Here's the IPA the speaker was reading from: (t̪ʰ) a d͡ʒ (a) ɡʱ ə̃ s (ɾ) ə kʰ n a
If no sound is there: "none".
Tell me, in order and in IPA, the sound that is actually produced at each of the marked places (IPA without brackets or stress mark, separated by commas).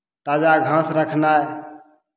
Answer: t̪, a, ɾ